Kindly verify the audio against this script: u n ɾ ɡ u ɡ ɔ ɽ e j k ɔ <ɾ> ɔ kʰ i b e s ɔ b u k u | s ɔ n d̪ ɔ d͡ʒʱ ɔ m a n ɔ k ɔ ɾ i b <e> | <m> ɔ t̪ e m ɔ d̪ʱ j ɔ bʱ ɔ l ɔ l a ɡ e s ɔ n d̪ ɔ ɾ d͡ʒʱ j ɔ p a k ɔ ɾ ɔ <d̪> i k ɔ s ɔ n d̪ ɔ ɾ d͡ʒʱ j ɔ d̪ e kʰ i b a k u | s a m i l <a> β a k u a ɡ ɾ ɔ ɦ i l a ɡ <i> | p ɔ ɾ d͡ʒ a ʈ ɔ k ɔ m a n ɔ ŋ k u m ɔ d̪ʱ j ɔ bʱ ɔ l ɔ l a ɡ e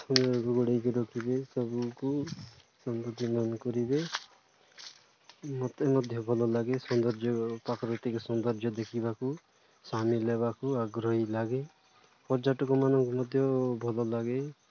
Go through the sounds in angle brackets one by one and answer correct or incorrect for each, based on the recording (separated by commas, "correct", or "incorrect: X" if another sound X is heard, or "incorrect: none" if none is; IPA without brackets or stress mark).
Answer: correct, correct, correct, incorrect: t̪, incorrect: e, incorrect: e